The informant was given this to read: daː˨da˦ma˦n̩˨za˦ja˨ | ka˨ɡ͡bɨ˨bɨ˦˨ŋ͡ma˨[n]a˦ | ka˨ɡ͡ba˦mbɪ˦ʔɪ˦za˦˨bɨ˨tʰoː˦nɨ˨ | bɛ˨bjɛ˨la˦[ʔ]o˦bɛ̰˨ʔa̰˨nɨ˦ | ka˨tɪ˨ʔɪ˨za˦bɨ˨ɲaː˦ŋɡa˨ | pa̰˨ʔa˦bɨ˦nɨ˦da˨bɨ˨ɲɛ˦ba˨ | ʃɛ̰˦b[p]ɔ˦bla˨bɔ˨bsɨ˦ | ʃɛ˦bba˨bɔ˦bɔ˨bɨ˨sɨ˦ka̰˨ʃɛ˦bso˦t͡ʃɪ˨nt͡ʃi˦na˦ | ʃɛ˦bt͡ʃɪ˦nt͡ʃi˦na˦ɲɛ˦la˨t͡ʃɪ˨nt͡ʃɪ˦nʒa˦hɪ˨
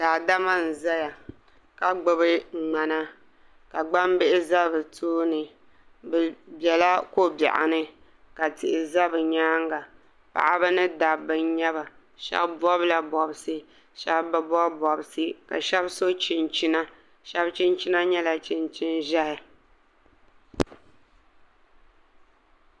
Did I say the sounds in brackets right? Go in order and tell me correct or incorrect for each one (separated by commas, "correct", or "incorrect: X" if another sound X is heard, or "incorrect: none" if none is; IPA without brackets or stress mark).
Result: correct, incorrect: k, incorrect: b